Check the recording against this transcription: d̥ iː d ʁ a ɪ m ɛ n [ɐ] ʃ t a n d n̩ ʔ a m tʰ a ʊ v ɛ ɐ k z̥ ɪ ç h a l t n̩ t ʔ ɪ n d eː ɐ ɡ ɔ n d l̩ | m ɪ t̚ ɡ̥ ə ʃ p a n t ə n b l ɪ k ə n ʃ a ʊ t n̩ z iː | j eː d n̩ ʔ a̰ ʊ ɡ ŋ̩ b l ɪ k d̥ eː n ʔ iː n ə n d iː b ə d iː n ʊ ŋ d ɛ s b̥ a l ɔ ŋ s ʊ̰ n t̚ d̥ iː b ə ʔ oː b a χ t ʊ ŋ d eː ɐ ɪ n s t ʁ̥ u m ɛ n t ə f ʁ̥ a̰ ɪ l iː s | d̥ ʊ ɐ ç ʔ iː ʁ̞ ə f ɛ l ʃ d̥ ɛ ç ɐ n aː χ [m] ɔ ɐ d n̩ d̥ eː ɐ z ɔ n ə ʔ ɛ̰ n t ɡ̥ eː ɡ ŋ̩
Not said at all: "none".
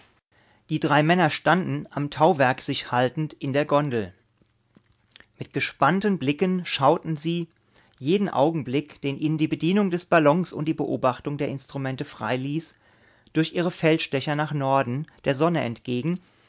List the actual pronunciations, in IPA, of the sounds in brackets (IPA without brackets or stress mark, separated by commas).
ɐ, n